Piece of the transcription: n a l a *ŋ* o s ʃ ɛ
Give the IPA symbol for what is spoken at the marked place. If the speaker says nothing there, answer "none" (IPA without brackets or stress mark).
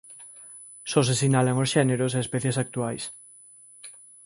ŋ